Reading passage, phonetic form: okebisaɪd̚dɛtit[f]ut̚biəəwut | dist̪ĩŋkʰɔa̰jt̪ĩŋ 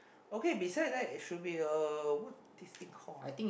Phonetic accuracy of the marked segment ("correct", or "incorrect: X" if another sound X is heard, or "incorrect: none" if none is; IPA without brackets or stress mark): incorrect: ʃ